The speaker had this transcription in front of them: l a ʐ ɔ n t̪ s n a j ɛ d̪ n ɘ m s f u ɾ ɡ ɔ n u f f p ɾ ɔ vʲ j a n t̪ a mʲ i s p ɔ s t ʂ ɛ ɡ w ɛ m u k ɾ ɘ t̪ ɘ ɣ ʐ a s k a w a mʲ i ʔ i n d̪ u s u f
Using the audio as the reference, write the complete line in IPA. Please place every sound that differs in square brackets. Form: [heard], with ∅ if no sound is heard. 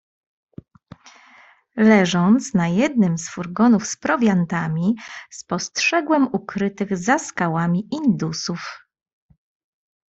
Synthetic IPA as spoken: l [ɛ] ʐ ɔ n t̪ s n a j ɛ d̪ n ɘ m s f u ɾ ɡ ɔ n u f [s] p ɾ ɔ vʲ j a n t̪ a mʲ i s p ɔ s t ʂ ɛ ɡ w ɛ m u k ɾ ɘ t̪ ɘ ɣ [z] a s k a w a mʲ i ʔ i n d̪ u s u f